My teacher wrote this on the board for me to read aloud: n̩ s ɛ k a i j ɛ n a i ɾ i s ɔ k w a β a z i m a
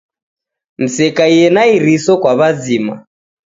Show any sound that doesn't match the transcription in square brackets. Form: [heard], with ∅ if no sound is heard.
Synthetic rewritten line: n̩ s ɛ k a i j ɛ n a i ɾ i s ɔ k w a β a z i m a